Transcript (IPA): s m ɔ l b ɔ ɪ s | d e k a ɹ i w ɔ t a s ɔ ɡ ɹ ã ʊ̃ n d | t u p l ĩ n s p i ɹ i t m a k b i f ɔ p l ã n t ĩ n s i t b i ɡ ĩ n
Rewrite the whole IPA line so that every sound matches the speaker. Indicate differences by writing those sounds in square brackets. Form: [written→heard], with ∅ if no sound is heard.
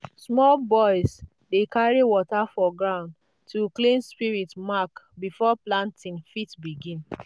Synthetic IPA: s m ɔ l b ɔ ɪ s | d e k a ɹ i w ɔ t a [s→f] ɔ ɡ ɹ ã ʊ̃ n d | t u [p→k] l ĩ n s p i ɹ i t m a k b i f ɔ p l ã n t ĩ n [s→f] i t b i ɡ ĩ n